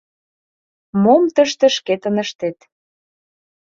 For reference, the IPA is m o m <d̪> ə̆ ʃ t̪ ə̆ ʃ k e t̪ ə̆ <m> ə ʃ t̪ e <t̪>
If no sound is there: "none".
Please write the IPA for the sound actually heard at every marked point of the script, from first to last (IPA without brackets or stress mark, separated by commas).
t̪, n, t̪